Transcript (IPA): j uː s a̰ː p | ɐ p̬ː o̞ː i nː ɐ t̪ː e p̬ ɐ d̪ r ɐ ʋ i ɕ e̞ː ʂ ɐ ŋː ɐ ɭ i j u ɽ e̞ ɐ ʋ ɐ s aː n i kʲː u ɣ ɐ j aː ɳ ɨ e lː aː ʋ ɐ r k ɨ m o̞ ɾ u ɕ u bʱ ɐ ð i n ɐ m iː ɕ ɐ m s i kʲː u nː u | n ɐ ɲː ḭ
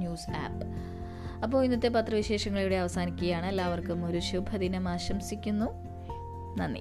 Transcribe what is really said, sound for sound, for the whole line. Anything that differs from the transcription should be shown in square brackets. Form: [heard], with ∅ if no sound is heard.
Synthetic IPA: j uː s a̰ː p | ɐ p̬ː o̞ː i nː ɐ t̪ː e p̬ ɐ [t̪] r ɐ ʋ i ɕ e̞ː ʂ ɐ ŋː ɐ ɭ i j u ɽ e̞ ɐ ʋ ɐ s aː n i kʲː u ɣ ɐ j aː ɳ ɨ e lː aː ʋ ɐ r k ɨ m o̞ ɾ u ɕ u bʱ ɐ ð i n ɐ m [aː] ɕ ɐ m s i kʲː u nː u | n ɐ [nː] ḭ